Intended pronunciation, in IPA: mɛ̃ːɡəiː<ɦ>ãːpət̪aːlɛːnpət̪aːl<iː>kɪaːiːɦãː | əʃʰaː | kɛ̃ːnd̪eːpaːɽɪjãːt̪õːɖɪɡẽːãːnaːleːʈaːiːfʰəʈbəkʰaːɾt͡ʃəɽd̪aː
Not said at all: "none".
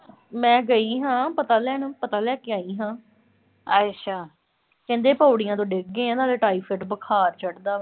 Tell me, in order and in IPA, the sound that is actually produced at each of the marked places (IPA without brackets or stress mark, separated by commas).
ɦ, ɛː